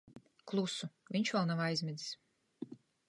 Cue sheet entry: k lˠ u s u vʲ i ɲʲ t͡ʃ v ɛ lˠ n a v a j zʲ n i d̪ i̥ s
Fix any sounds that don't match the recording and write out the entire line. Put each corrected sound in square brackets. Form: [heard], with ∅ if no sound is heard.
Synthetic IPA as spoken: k lˠ u s u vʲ i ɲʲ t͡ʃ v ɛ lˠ n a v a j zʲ [m] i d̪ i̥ s